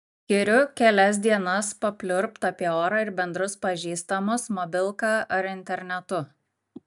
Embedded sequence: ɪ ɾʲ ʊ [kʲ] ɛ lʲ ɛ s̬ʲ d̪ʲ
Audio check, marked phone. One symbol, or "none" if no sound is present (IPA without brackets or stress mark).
kʲ